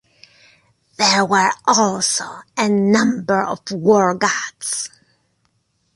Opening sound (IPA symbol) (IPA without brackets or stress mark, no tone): ð